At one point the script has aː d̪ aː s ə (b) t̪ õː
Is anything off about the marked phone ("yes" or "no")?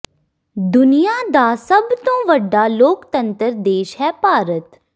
no